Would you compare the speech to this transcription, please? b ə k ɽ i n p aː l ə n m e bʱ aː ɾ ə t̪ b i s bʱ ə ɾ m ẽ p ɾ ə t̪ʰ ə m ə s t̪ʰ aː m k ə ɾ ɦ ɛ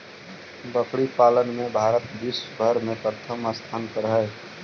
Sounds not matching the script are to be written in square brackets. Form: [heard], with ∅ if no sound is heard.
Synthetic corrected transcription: b ə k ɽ i [∅] p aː l ə n m e bʱ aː ɾ ə t̪ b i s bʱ ə ɾ m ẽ p ɾ ə t̪ʰ ə m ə s t̪ʰ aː [n] k ə ɾ ɦ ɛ